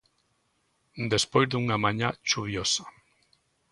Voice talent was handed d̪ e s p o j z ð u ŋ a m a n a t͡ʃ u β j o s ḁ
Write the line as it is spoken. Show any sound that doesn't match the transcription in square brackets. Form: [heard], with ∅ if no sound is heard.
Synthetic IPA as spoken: d̪ e s p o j z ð u ŋ a m a [ɲ] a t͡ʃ u β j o s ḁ